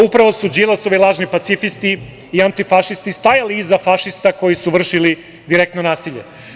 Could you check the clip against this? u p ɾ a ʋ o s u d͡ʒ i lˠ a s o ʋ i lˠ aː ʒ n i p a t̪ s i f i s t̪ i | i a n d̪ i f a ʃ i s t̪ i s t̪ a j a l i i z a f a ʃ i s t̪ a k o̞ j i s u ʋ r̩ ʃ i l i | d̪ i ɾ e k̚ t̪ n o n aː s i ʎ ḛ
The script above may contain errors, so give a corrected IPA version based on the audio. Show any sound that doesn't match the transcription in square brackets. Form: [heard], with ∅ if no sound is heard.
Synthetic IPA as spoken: u p ɾ a ʋ o s u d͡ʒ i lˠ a s o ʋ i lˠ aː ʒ n i p a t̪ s i f i s t̪ i | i a n [t̪] i f a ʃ i s t̪ i s t̪ a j a l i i z a f a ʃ i s t̪ a k o̞ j i s u ʋ r̩ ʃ i l i | d̪ i ɾ e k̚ t̪ n o n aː s i ʎ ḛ